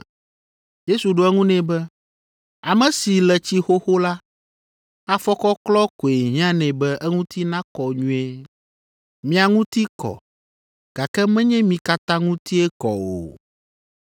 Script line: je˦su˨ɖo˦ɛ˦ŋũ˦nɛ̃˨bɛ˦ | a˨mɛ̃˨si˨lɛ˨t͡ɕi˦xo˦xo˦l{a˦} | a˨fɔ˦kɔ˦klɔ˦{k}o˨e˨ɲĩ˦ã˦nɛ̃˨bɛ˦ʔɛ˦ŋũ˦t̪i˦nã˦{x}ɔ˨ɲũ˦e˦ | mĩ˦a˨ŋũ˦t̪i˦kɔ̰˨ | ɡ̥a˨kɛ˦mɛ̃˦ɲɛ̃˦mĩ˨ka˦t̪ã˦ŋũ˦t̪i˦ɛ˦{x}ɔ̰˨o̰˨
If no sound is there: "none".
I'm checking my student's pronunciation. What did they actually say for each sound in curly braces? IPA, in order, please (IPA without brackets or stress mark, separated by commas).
a˦, k, k, k